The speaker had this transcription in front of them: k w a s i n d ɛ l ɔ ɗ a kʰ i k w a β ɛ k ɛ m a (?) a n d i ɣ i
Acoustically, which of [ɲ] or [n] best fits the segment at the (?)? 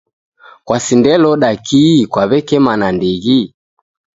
n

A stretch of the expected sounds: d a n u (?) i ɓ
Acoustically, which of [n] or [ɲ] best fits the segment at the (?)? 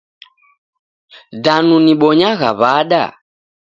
n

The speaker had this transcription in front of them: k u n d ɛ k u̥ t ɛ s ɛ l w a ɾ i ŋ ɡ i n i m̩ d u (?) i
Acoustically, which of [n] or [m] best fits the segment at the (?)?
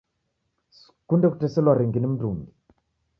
m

